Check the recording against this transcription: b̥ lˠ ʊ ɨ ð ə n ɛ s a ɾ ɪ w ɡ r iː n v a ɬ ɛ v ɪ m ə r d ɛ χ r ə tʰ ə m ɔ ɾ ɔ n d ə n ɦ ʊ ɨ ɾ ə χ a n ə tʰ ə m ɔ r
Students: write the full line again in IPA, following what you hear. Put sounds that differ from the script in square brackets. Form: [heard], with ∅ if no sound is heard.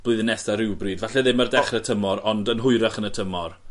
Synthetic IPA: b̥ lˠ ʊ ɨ ð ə n ɛ s a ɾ ɪ w [b] r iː [d] v a ɬ ɛ [ð] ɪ m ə r d ɛ χ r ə tʰ ə m ɔ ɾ ɔ n d ə n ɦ ʊ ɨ ɾ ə χ [ə] n ə tʰ ə m ɔ r